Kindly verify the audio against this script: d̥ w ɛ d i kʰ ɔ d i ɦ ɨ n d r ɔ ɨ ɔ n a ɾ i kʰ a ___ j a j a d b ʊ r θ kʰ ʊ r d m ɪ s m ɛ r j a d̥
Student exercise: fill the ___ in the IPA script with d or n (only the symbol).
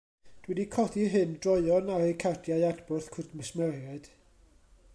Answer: d